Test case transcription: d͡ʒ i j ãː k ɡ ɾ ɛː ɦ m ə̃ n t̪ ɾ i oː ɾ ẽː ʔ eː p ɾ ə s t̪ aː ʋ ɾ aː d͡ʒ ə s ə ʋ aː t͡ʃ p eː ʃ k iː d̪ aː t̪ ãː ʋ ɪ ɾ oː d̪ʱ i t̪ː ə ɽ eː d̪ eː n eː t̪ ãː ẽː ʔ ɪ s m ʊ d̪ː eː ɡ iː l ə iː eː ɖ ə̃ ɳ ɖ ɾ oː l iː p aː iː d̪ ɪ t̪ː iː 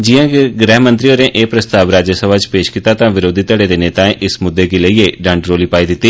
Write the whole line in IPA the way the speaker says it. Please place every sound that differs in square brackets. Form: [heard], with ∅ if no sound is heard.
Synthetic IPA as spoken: d͡ʒ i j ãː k ɡ ɾ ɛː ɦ m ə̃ n t̪ ɾ i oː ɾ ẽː ʔ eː p ɾ ə s t̪ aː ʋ ɾ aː d͡ʒ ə s ə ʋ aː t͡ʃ p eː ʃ k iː [t̪] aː t̪ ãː ʋ ɪ ɾ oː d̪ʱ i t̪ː ə ɽ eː d̪ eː n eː t̪ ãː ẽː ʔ ɪ s m ʊ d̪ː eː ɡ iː l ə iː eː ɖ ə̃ ɳ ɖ ɾ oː l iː p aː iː d̪ ɪ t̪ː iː